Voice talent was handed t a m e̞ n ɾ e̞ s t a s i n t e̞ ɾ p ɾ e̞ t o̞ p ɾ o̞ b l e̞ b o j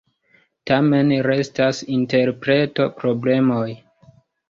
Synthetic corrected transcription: t a m e̞ n ɾ e̞ s t a s i n t e̞ ɾ p ɾ e̞ t o̞ p ɾ o̞ b l e̞ m o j